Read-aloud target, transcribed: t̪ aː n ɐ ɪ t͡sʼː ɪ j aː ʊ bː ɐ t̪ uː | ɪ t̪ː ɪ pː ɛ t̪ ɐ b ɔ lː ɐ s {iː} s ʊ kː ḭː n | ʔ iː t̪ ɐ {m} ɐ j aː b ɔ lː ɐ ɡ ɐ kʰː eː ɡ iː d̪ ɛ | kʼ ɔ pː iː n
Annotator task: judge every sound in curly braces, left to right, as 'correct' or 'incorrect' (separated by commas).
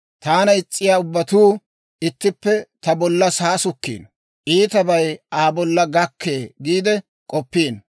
incorrect, incorrect